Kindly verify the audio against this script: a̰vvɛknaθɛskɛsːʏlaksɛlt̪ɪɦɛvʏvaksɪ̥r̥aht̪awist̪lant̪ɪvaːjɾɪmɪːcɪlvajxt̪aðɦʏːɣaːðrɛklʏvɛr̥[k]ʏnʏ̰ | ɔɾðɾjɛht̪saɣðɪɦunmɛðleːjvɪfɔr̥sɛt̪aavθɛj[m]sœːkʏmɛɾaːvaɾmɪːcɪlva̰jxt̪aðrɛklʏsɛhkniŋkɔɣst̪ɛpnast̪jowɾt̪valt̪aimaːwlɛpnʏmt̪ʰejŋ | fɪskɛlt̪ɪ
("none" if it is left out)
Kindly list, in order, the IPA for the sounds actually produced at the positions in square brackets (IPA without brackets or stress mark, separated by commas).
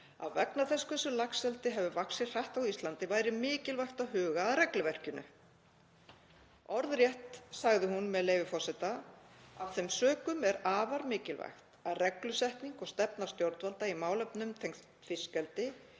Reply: c, m